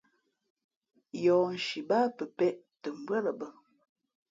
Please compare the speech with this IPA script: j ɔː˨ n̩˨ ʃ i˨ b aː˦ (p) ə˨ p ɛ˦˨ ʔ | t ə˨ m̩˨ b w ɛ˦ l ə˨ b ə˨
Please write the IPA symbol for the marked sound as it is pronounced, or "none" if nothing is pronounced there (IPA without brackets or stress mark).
p